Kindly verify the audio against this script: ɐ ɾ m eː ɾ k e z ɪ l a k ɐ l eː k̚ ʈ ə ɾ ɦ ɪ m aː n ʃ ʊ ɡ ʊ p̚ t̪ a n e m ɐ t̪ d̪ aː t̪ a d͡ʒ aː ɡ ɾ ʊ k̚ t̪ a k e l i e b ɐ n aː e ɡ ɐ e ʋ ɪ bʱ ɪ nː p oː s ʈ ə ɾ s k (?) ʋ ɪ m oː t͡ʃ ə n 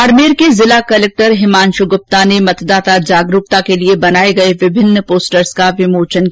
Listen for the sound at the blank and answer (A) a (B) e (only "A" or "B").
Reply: A